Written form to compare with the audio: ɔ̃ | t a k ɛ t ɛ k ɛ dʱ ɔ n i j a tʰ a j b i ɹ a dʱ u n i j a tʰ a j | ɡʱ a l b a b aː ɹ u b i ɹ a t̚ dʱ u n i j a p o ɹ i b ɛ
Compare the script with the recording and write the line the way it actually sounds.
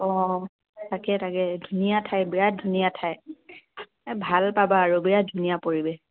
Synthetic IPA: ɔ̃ | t a k ɛ t a k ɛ dʱ u n i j a tʰ a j b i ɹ a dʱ u n i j a tʰ a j | bʱ a l p a b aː ɹ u b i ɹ a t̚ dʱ u n i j a p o ɹ i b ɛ